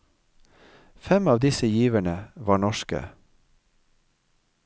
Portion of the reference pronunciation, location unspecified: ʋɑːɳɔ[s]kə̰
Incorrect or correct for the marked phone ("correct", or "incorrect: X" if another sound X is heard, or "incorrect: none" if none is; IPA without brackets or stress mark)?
incorrect: ʃ